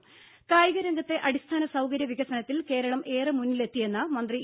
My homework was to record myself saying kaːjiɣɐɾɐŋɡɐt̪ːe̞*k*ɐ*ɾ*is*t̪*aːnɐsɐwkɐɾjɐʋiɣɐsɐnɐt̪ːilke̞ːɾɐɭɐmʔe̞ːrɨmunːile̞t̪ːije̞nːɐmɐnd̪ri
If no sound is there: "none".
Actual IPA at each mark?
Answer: ʔ, ɽ, t̪ʰ

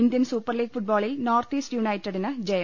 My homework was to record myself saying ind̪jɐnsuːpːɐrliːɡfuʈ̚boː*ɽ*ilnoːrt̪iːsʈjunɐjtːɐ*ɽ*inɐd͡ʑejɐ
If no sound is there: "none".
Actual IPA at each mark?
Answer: ɭ, ɽ

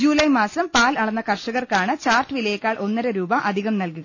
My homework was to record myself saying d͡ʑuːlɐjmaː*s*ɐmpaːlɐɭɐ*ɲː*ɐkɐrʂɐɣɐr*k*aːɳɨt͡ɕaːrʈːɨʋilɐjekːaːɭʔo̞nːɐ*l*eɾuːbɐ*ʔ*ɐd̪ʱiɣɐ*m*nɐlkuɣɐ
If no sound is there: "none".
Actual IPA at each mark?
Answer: s, nː, k, ɾ, ʔ, m

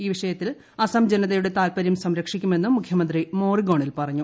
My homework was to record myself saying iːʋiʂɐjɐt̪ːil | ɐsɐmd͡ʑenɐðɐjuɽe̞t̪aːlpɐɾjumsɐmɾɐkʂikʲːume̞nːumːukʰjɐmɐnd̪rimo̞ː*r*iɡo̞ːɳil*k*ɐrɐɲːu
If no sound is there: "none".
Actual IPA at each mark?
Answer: r, p

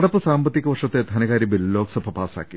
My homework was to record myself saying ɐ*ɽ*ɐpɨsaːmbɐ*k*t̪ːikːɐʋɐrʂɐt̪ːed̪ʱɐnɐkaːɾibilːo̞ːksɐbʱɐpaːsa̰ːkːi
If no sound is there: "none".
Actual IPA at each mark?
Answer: ɽ, none

